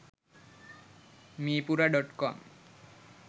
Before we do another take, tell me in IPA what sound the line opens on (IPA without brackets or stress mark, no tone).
m